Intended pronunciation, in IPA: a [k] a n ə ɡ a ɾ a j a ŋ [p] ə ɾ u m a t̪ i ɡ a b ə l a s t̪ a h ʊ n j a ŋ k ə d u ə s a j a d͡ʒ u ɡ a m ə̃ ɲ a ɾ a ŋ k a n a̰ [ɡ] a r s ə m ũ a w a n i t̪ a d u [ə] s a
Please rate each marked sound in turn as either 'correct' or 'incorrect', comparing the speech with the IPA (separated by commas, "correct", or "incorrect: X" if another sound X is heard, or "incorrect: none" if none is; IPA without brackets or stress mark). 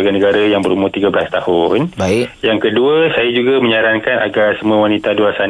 incorrect: ɡ, incorrect: b, correct, incorrect: a